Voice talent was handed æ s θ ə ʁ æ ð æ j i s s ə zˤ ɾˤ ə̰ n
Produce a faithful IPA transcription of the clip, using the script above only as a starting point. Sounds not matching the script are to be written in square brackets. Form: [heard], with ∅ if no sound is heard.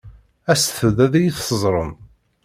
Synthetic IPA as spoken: æ s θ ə [ð] æ ð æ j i [θ] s ə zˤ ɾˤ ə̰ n

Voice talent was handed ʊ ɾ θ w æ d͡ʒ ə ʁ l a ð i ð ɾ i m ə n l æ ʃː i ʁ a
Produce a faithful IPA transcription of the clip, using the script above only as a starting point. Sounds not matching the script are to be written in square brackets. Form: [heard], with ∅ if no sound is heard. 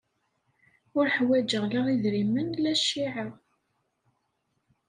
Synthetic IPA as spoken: ʊ ɾ [ħ] w æ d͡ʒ ə ʁ l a [ʁ] i ð ɾ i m ə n l æ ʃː i [ʕ] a

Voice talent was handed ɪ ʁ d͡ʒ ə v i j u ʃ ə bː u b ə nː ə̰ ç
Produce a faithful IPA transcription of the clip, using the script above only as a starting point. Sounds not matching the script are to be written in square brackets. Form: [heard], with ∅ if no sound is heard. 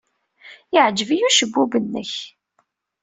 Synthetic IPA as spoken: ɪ [ʕ] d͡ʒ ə v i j u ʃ ə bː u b ə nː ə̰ ç

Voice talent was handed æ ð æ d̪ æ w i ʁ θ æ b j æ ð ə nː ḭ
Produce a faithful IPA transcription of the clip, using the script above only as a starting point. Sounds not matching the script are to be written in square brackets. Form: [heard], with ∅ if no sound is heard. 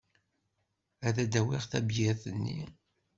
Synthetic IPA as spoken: æ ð æ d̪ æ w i ʁ θ æ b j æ [θ] ə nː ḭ

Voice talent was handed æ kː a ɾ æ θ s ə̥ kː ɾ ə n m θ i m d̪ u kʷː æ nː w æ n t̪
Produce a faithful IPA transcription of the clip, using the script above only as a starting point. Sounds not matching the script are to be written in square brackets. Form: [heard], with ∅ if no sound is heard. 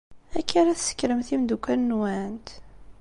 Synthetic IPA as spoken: æ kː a ɾ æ θ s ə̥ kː ɾ ə [∅] m θ i m d̪ u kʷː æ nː w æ n t̪

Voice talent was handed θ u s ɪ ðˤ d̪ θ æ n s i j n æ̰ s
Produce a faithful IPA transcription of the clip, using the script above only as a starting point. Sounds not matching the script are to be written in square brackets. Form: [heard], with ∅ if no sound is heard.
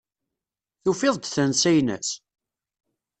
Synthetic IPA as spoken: θ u [f] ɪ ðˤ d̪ θ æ n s [æ] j n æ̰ s

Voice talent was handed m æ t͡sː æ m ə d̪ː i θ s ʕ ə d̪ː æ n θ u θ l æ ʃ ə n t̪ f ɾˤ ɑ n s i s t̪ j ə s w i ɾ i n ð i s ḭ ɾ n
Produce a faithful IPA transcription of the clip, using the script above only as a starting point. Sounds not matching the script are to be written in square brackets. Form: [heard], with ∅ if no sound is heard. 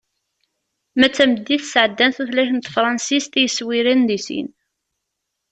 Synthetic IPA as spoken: m æ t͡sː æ m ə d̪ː i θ s ʕ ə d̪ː æ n θ u θ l æ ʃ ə n t̪ f ɾˤ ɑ n s i s t̪ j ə s w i ɾ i n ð i s ḭ [∅] n

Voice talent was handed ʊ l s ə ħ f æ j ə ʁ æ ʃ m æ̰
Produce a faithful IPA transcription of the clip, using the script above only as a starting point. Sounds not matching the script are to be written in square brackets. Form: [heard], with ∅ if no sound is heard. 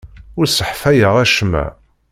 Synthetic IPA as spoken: ʊ [ɾ] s ə ħ f æ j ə ʁ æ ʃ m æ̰

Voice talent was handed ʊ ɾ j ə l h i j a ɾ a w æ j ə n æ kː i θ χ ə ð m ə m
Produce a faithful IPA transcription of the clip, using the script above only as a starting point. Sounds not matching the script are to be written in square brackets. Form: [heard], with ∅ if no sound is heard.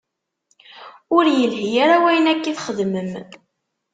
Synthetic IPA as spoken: ʊ ɾ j ə l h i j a ɾ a w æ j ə n æ kː i θ χ ə ð m ə m

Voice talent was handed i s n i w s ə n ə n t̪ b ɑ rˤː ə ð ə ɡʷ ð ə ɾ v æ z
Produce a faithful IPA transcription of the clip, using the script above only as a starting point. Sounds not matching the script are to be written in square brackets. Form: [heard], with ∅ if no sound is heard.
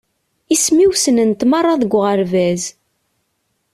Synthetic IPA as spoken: i s [m] i w s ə n ə n t̪ [m] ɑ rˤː [ɑ] ð ə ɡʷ [ʁ] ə ɾ v æ z

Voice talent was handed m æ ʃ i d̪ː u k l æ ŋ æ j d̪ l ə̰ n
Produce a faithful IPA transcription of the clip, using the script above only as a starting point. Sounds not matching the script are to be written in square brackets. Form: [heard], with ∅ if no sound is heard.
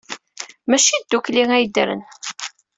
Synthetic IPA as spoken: m æ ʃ i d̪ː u k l [i] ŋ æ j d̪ [ɾ] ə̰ n

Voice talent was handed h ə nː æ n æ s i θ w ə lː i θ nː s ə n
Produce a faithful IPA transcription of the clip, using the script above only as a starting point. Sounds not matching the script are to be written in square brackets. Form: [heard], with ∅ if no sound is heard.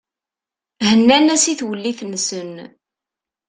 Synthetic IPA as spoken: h ə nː æ n æ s i θ w ə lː i θ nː s ə n

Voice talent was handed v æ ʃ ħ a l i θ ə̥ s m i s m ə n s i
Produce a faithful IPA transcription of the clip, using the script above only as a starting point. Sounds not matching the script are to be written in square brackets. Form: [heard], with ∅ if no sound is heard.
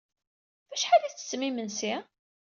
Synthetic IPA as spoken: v æ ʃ ħ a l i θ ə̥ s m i [∅] m ə n s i

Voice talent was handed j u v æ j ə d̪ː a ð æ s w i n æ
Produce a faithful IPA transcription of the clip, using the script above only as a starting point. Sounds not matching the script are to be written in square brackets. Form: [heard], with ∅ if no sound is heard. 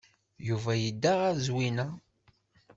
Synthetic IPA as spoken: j u v æ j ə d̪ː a [ʁ] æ [z] w i n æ

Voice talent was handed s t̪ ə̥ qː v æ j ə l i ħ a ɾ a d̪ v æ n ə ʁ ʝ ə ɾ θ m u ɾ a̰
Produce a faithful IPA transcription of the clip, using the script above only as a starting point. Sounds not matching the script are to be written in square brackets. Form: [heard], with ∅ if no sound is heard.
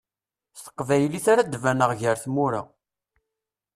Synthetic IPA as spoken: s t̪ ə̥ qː v æ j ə l i [θ] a ɾ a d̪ v æ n ə ʁ ʝ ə ɾ θ m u ɾ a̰

